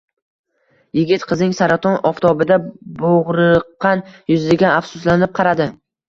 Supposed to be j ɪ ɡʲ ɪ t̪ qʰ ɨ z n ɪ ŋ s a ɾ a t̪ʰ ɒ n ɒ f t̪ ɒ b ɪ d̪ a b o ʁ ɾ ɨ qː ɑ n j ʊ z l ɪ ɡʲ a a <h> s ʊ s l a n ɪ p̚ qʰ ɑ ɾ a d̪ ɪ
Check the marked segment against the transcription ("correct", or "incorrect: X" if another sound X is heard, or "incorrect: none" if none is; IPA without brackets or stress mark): incorrect: f